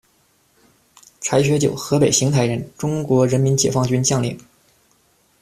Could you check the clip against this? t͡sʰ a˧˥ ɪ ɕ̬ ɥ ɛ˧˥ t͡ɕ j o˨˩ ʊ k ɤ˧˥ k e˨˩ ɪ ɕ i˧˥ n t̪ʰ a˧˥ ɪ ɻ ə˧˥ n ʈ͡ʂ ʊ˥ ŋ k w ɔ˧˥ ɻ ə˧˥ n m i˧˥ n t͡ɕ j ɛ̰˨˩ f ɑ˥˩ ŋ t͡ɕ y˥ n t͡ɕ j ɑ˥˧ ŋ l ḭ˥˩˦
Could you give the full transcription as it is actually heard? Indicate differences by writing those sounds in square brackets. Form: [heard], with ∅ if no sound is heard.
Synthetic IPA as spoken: t͡sʰ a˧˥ ɪ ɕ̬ ɥ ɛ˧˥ t͡ɕ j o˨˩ ʊ [x] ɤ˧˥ [p] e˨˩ ɪ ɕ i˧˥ [ŋ] t̪ʰ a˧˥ ɪ ɻ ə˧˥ n ʈ͡ʂ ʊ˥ ŋ k w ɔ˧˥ ɻ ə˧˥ n m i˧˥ n t͡ɕ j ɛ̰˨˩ f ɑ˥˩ ŋ t͡ɕ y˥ n t͡ɕ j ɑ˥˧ ŋ l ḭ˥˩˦